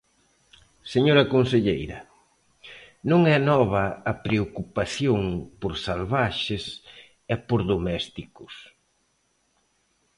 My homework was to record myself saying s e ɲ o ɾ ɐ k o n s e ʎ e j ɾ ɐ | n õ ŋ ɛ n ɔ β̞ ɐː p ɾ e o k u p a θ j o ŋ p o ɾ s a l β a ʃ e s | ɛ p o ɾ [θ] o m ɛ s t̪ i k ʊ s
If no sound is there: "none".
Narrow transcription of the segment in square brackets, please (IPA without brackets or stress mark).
ð